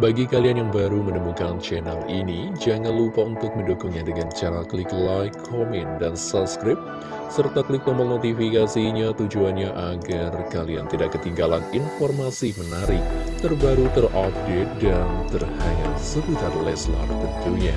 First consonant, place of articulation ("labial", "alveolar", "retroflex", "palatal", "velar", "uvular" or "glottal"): labial